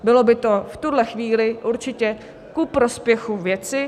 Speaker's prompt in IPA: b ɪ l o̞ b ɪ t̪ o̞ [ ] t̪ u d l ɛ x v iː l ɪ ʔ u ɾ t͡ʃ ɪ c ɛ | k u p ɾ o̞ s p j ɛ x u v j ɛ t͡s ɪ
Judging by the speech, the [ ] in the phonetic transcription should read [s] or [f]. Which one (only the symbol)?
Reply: f